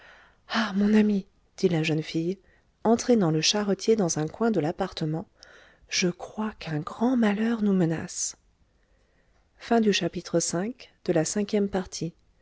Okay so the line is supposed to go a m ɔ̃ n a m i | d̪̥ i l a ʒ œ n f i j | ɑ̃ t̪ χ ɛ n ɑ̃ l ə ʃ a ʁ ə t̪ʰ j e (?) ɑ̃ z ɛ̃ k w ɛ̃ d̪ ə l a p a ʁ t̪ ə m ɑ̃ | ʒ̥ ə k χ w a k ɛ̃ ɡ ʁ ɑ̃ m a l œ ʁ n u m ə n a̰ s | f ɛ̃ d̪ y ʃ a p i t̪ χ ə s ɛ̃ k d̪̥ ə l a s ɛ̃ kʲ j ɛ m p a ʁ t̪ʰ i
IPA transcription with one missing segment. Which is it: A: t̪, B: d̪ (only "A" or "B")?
B